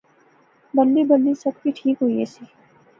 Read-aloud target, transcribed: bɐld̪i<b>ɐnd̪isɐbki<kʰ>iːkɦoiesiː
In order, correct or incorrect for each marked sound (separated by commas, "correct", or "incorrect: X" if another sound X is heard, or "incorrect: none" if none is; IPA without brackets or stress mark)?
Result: correct, incorrect: ʈʰ